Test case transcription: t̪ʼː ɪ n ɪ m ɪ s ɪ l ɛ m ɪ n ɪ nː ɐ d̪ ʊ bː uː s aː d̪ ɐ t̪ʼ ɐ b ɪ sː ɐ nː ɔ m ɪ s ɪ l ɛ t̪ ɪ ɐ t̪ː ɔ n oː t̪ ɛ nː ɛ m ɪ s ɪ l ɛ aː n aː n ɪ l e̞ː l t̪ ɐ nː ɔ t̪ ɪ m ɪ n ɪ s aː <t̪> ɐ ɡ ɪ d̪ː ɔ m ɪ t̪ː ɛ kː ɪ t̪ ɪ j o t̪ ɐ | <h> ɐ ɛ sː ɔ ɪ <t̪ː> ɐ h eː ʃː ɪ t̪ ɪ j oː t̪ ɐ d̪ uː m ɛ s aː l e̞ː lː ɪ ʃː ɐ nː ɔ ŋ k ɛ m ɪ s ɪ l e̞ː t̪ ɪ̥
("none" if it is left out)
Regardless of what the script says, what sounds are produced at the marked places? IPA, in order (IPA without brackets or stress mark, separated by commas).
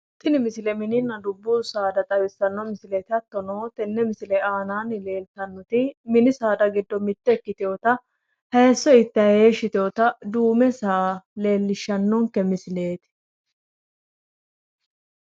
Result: d̪, h, t̪ː